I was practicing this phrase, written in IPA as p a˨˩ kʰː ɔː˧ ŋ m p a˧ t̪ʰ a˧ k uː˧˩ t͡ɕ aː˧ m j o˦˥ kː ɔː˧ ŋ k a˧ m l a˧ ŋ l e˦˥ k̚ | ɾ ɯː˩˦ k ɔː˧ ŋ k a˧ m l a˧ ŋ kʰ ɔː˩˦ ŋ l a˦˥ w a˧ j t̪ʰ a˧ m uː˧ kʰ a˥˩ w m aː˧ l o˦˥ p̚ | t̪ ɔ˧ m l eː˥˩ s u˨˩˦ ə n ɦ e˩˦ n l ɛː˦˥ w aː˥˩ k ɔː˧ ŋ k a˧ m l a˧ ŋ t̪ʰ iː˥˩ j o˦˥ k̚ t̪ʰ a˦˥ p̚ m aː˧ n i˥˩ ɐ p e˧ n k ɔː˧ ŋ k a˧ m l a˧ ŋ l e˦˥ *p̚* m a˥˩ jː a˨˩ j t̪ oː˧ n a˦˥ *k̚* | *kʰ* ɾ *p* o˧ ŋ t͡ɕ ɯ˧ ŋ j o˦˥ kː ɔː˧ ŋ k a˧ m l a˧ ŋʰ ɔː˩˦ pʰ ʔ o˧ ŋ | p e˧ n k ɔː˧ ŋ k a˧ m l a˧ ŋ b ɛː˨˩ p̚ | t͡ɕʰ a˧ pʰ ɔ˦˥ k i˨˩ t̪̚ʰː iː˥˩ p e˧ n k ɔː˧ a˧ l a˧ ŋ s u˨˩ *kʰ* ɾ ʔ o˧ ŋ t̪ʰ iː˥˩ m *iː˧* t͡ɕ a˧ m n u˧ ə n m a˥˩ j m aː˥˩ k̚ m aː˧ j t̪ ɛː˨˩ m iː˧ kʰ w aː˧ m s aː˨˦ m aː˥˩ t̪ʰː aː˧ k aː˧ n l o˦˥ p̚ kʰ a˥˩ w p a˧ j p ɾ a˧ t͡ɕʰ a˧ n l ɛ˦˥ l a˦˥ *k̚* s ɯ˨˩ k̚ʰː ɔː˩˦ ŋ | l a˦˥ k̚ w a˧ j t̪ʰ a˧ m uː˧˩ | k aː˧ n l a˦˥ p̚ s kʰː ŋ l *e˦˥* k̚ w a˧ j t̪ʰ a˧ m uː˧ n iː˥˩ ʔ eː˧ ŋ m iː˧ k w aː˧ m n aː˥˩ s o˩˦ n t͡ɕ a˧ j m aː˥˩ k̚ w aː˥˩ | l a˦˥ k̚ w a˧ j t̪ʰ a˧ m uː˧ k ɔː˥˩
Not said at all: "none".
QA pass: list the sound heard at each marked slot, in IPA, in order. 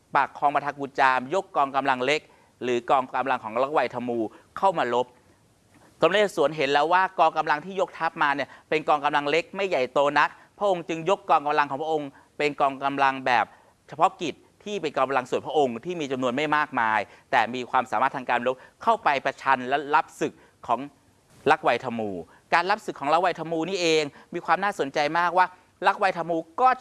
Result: k̚, k̚, pʰ, ʔ, pʰ, iː˧, p̚, a˦˥

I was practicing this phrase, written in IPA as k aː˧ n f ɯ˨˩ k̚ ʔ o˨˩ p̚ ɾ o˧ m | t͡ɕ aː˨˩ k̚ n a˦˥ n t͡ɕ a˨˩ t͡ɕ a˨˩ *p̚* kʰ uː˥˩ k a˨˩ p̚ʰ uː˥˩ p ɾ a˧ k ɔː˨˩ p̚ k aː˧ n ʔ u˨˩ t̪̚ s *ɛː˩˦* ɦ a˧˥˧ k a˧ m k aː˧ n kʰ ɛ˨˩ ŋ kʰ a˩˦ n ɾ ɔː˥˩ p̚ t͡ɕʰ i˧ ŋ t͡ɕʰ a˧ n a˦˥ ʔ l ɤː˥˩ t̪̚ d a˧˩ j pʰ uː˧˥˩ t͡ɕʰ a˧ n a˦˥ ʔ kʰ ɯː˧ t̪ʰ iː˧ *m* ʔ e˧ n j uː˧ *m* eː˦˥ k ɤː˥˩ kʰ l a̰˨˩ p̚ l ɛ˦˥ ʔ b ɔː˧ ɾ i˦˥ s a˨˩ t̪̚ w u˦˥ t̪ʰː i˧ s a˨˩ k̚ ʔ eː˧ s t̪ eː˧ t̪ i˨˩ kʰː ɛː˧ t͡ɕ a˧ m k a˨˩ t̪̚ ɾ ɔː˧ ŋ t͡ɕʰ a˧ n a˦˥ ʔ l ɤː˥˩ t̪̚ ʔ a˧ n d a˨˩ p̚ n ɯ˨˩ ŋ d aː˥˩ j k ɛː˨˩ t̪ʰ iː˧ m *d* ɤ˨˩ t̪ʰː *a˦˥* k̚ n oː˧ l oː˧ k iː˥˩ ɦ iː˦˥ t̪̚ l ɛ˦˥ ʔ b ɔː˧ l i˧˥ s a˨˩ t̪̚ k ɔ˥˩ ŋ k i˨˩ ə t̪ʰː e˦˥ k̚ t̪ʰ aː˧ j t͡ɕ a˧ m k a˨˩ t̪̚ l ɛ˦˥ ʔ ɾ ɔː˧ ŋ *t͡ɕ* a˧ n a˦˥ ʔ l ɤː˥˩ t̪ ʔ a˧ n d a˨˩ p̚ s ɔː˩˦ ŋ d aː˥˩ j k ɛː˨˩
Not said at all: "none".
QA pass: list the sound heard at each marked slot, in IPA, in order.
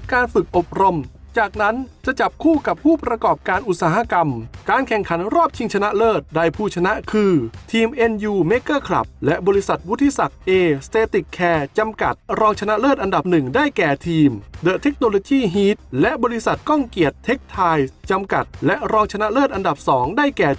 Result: p̚, aː˩˦, m, m, d, e˦˥, t͡ɕʰ

